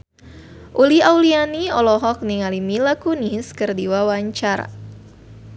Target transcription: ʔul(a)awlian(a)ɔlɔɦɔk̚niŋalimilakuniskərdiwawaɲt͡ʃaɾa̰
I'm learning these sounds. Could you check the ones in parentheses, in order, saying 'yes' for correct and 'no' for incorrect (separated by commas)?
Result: no, no